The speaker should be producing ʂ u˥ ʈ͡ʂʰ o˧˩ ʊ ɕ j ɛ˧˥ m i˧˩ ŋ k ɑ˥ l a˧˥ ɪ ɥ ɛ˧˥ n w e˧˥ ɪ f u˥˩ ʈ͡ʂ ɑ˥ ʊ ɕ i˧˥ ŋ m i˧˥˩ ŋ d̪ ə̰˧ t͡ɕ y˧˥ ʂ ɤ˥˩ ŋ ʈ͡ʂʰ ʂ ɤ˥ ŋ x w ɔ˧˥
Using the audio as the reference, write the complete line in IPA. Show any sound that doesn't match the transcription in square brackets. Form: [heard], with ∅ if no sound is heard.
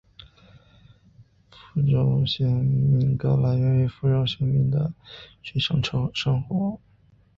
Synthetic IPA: [f] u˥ [ʈ͡ʂ] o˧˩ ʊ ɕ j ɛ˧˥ m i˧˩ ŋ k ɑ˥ l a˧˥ ɪ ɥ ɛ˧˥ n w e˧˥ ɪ f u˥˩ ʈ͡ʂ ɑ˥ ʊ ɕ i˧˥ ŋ m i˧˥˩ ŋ d̪ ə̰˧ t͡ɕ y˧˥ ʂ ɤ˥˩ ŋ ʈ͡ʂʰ ʂ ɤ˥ ŋ x w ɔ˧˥